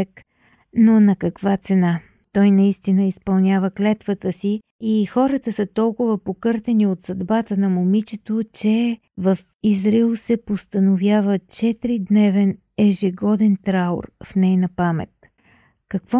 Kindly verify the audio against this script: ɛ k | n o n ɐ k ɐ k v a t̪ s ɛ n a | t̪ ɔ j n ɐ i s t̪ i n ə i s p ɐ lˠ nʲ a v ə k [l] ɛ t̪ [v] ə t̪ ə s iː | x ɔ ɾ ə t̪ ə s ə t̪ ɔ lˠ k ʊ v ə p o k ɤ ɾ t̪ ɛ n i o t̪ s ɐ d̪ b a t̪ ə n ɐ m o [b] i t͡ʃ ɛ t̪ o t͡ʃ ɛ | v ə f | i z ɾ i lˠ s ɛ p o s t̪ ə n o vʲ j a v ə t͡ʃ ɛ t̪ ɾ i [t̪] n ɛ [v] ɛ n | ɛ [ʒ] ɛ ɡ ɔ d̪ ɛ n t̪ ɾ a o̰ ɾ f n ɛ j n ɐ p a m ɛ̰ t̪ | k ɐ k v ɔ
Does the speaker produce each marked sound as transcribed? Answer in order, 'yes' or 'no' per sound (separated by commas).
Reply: yes, yes, no, no, yes, yes